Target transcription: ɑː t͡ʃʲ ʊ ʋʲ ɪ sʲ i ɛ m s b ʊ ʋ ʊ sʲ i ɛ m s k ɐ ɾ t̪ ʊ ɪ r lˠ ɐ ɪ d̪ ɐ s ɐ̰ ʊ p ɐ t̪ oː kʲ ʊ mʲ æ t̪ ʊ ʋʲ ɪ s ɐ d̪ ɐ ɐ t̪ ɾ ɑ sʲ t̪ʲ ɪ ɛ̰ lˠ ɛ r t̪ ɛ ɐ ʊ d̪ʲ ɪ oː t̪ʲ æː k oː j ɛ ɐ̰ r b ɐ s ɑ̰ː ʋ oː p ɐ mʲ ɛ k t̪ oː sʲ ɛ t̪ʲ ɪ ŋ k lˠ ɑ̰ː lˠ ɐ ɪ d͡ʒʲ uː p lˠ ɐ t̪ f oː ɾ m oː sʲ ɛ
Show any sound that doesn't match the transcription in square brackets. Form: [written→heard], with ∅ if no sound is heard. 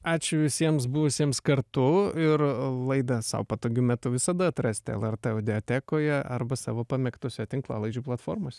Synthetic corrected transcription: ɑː t͡ʃʲ ʊ ʋʲ ɪ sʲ i ɛ m s b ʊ ʋ ʊ sʲ i ɛ m s k ɐ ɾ t̪ ʊ ɪ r lˠ ɐ ɪ d̪ ɐ s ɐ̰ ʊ p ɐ t̪ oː [kʲ→ɡʲ] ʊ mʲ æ t̪ ʊ ʋʲ ɪ s ɐ d̪ ɐ ɐ t̪ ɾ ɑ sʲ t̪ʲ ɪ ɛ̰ lˠ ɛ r t̪ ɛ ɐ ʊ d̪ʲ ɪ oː t̪ʲ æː k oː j ɛ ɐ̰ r b ɐ s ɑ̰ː ʋ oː p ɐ mʲ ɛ k t̪ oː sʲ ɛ t̪ʲ ɪ ŋ k lˠ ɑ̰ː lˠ ɐ ɪ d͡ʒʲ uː p lˠ ɐ t̪ f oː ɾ m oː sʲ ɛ